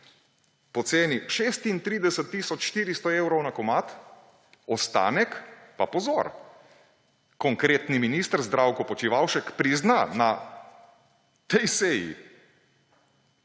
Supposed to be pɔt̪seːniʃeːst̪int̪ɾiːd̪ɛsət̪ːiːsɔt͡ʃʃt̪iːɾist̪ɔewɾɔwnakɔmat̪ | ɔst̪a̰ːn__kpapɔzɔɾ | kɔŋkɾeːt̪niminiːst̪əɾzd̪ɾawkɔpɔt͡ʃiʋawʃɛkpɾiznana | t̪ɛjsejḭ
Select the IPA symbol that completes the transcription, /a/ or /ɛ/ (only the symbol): ɛ